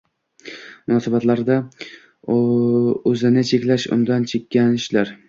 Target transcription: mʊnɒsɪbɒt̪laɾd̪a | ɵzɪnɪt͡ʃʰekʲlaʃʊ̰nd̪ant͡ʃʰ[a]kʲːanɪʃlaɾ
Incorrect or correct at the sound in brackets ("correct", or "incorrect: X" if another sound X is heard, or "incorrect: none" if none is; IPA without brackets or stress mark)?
incorrect: e